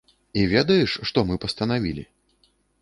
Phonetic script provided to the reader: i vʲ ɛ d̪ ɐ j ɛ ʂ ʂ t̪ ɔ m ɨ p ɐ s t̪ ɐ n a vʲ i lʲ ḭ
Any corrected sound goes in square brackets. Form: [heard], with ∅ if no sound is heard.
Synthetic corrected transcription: i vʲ ɛ d̪ ɐ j ɛ ʂ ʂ t̪ ɔ m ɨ p ɐ s t̪ ɐ n a vʲ i lʲ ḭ